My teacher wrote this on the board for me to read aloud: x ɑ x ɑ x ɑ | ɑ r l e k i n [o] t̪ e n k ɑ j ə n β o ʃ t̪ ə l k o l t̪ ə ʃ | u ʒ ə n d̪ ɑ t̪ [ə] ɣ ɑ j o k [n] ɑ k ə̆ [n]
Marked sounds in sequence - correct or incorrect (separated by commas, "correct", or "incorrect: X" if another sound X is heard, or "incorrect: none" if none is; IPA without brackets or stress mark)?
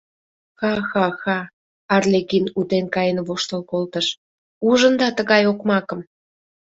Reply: incorrect: u, correct, incorrect: m, incorrect: m